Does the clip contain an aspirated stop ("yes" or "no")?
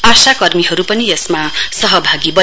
no